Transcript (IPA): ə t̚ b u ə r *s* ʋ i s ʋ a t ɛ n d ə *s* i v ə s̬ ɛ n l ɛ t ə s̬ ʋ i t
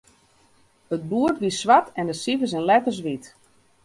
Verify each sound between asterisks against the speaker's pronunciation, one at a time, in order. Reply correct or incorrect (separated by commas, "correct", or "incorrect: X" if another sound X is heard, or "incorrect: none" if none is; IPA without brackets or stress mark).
incorrect: t, correct